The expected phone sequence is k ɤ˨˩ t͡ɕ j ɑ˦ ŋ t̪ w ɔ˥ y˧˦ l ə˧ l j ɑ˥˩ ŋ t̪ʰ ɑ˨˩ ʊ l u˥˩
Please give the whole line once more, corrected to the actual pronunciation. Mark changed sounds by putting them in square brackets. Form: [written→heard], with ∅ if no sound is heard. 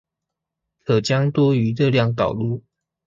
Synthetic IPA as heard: [k→kʰ] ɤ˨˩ t͡ɕ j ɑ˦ ŋ t̪ w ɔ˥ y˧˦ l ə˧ l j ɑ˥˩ ŋ [t̪ʰ→t̪] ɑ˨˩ ʊ l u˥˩